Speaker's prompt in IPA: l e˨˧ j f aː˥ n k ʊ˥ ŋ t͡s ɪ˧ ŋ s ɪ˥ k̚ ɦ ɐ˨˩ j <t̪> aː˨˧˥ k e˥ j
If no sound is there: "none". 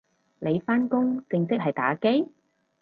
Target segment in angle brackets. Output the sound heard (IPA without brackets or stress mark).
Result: t̪